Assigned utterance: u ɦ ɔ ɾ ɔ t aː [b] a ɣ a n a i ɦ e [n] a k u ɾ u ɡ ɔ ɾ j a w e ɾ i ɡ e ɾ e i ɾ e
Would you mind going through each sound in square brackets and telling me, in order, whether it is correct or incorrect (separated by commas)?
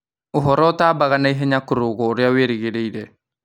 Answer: correct, incorrect